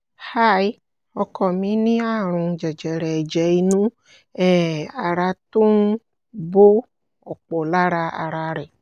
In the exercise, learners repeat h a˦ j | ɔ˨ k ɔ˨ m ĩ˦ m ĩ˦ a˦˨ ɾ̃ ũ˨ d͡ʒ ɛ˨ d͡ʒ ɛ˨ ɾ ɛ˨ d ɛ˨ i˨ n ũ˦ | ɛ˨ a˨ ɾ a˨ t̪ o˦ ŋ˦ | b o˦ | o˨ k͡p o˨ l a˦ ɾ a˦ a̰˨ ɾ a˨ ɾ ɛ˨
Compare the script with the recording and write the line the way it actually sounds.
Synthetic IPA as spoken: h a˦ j | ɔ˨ k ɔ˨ m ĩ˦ n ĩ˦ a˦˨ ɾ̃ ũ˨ d͡ʒ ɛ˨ d͡ʒ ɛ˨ ɾ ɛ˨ d͡ʒ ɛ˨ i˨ n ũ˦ | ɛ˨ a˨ ɾ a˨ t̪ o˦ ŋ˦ | b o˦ | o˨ k͡p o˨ l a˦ ɾ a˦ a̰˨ ɾ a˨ ɾ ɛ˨